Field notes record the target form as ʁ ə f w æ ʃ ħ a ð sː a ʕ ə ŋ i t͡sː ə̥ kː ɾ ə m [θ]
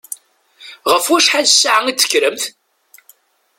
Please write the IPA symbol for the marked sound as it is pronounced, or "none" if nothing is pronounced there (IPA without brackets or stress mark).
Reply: θ